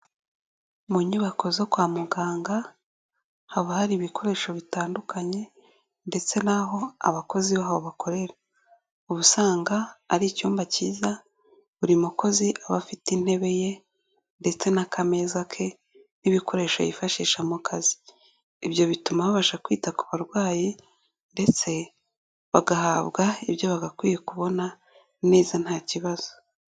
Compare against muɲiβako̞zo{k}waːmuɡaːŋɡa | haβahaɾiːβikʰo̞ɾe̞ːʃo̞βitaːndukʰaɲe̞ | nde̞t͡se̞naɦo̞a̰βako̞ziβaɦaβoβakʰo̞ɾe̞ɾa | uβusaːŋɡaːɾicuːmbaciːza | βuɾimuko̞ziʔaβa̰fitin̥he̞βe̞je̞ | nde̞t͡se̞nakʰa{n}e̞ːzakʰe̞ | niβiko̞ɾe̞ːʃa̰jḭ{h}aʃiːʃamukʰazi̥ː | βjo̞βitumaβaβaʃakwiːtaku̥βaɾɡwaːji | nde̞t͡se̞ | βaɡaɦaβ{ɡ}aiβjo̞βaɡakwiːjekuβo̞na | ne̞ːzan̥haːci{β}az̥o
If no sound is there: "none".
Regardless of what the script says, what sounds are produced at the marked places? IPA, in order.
k, m, f, ɡ, β

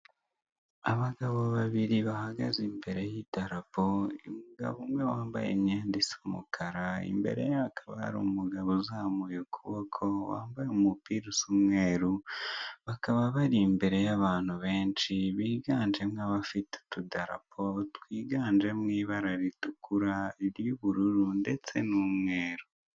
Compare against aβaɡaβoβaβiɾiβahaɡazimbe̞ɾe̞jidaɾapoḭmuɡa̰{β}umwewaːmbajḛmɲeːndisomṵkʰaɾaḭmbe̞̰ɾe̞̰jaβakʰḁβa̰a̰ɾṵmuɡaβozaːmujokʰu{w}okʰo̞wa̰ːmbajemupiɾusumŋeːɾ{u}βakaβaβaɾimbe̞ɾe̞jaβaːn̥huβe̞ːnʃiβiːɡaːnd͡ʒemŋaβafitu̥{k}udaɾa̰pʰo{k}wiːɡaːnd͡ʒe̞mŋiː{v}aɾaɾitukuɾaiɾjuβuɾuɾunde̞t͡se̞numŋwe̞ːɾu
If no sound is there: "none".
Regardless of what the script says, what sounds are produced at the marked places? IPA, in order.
β, β, u, t, t, β

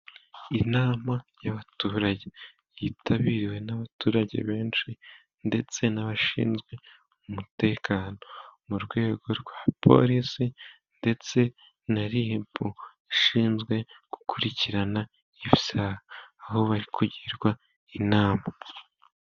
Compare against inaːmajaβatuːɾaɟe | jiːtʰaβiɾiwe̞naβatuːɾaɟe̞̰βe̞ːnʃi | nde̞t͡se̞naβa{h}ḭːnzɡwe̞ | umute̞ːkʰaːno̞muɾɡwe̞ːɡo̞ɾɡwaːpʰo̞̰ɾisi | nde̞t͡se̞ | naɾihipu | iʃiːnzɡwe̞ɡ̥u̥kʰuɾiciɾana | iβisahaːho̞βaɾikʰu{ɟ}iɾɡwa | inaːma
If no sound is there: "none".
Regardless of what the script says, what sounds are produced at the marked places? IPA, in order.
ʃ, ɟ

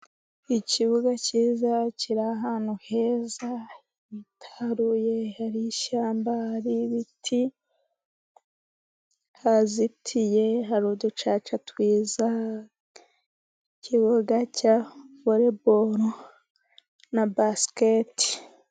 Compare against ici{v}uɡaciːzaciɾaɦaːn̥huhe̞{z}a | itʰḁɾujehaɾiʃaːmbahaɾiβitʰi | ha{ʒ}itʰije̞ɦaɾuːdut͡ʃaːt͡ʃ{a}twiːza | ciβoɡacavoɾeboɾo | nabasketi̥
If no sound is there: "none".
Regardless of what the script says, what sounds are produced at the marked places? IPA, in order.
β, z, z, a

